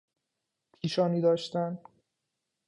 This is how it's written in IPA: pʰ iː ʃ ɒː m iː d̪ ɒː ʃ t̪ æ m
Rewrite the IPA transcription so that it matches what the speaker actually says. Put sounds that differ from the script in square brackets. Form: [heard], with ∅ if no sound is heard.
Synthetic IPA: pʰ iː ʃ ɒː [n] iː d̪ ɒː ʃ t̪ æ [n]